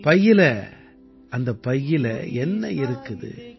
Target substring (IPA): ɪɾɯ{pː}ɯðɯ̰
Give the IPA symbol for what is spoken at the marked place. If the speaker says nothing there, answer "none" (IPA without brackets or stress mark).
kː